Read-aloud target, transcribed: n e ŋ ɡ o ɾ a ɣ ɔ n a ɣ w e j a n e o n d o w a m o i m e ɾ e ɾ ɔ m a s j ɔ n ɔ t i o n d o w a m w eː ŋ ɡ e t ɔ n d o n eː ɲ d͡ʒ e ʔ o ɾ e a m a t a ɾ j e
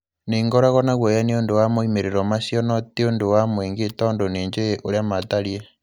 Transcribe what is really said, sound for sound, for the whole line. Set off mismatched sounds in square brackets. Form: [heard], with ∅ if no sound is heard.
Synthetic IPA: n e ŋ ɡ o ɾ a ɣ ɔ n a ɣ w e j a n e o n d o w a m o i m e ɾ e ɾ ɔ m a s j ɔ n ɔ t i o n d o w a m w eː ŋ ɡ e t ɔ n d o n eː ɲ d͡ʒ e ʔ o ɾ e a m a t a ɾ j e